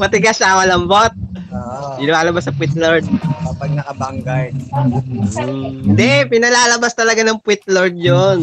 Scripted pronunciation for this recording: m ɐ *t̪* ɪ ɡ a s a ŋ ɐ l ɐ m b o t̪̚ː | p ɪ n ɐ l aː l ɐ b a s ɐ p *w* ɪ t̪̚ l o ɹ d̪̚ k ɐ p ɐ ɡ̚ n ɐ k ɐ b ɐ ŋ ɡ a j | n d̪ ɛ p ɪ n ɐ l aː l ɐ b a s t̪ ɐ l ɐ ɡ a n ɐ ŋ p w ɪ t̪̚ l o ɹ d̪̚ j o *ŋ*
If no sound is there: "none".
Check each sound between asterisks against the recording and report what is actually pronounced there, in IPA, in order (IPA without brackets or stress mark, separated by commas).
t̪, w, n